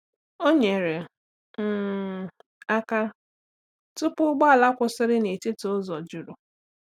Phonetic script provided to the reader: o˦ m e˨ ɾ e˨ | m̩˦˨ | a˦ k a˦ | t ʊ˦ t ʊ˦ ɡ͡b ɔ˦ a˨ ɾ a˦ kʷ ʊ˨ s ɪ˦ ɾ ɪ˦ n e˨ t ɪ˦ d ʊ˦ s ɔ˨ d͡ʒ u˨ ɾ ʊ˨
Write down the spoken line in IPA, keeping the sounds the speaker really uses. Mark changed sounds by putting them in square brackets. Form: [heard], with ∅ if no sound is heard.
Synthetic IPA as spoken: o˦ [ɲ] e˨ ɾ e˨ | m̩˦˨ | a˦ k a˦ | t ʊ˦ [p] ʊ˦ ɡ͡b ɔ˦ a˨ [l] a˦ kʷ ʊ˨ s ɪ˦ ɾ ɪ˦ n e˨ t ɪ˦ [t] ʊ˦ [z] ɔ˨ d͡ʒ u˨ ɾ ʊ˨